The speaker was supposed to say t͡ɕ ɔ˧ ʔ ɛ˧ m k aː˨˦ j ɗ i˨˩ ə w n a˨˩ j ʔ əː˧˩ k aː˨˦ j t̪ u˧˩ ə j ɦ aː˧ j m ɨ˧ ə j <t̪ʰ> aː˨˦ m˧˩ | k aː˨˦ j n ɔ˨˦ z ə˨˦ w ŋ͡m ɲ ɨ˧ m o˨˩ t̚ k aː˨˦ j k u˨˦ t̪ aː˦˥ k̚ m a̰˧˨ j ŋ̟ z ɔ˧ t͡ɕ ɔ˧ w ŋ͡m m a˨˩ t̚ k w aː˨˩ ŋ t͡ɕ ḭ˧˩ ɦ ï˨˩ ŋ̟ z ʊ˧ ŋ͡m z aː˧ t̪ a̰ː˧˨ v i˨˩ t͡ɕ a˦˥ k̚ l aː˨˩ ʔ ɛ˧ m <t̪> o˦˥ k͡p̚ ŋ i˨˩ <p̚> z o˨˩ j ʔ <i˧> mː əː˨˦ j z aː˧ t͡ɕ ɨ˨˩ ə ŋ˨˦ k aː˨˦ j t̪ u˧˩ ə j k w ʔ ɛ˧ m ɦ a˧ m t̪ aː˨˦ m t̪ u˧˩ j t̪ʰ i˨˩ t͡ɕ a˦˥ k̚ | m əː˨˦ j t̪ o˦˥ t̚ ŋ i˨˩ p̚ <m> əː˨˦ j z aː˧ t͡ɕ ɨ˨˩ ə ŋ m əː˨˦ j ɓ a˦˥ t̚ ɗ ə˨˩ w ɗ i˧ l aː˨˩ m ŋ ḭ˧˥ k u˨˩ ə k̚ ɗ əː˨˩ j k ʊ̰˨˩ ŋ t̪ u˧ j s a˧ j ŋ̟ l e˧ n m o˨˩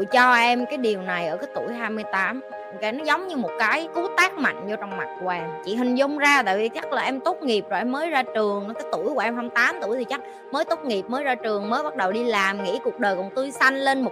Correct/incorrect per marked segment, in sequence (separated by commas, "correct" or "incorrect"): incorrect, correct, correct, incorrect, correct